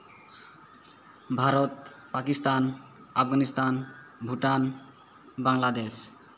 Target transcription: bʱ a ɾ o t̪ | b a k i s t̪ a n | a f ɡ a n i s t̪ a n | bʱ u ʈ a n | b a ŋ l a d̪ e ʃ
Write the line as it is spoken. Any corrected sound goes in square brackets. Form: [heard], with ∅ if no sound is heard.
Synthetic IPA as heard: bʱ a ɾ o t̪ | [p] a k i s t̪ a n | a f ɡ a n i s t̪ a n | bʱ u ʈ a n | b a ŋ l a d̪ e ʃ